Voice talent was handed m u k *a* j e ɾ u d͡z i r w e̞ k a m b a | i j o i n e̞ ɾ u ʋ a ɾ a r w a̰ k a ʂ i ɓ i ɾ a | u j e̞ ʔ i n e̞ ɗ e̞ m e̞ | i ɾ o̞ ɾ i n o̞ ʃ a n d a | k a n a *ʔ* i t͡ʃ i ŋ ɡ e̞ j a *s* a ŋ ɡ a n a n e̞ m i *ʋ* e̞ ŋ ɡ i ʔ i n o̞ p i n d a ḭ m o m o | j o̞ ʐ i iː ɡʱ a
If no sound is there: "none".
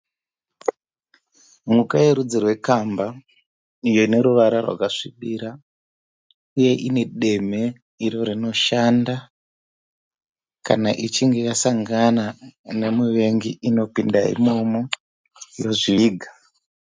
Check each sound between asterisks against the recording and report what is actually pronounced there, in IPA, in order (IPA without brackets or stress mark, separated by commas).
a, ʔ, s, ʋ